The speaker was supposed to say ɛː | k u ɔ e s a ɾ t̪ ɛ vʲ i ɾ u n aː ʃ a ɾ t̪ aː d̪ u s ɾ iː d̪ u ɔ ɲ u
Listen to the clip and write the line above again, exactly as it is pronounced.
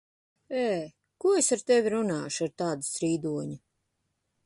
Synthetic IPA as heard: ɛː | k u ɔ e s a ɾ t̪ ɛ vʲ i ɾ u n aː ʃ a ɾ t̪ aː d̪ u s ɾ iː d̪ u ɔ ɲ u